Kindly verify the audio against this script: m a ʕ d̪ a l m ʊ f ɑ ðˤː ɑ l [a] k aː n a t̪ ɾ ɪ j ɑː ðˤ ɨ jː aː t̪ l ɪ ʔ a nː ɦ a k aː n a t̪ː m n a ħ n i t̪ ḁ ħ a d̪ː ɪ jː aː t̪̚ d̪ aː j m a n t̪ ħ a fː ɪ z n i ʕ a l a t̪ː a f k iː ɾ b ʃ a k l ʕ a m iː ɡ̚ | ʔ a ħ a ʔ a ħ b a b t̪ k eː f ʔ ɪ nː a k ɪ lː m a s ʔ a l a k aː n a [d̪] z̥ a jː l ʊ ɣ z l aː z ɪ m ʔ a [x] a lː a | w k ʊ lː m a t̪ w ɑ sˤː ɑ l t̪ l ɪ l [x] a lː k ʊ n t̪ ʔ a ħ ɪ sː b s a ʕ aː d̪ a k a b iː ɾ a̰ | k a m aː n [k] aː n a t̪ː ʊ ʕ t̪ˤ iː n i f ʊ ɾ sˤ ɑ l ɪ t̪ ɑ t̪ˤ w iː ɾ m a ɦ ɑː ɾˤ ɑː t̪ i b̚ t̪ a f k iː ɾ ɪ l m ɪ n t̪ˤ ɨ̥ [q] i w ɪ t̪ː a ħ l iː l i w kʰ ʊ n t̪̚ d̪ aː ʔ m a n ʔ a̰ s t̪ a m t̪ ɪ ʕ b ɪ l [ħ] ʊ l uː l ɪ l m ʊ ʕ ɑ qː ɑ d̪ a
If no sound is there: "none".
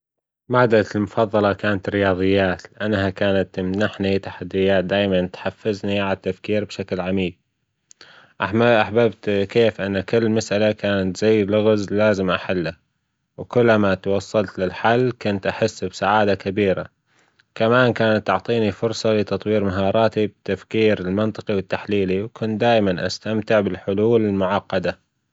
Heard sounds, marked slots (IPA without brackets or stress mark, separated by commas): ɑ, t̪, ħ, ħ, k, q, ħ